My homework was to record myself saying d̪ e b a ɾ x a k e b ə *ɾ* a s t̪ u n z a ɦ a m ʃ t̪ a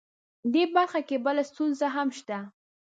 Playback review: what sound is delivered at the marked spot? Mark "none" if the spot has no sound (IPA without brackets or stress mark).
l